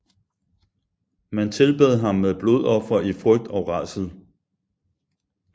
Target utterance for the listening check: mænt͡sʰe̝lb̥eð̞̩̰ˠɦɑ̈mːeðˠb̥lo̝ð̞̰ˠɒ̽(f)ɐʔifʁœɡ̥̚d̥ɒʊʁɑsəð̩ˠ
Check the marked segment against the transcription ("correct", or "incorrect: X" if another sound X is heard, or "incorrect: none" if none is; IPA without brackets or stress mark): correct